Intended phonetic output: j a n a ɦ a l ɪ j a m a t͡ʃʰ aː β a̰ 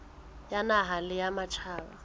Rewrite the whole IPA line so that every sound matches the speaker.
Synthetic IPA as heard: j a n a ɦ a l ɪ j a m a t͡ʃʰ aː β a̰

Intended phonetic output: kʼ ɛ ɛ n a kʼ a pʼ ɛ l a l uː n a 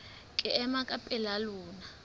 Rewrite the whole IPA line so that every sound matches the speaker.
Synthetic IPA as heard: kʼ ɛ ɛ m a kʼ a pʼ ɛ l a l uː n a

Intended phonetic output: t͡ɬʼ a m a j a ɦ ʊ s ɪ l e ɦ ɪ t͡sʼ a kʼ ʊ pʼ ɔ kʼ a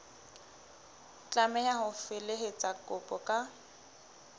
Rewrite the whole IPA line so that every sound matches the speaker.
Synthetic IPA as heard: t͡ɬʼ a m ɛ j a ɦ ʊ f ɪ l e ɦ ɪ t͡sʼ a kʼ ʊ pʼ ɔ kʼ a

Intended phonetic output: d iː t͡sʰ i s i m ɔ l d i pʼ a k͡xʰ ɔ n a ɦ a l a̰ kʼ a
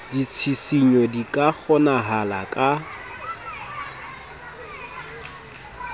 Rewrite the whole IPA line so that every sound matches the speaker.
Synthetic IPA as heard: d i t͡sʰ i s i ɲ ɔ d i kʼ a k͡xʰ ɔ n a ɦ a l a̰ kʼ a

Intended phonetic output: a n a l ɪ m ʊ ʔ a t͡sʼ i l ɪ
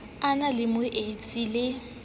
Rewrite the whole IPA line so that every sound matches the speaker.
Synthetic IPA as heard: a n a l ɪ m ʊ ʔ e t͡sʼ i l ɪ

